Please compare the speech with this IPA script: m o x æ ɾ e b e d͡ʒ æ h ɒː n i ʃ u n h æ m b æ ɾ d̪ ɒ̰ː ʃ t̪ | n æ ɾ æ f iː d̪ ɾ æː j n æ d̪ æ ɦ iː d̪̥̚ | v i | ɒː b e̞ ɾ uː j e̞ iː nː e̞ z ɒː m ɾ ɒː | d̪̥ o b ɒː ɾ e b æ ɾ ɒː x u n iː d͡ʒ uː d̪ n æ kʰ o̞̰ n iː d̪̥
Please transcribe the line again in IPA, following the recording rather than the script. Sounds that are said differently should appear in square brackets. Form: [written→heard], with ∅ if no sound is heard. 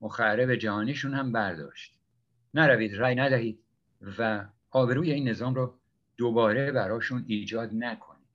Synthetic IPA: m o x æ ɾ e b e d͡ʒ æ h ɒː n i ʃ u n h æ m b æ ɾ d̪ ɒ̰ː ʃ t̪ | n æ ɾ æ [f→v] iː d̪ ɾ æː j n æ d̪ æ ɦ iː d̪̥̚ | v [i→æ] | ɒː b e̞ ɾ uː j e̞ iː nː e̞ z ɒː m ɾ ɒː | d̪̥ o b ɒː ɾ e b æ ɾ ɒː [x→ʃ] u n iː d͡ʒ [uː→ɒː] d̪ n æ kʰ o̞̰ n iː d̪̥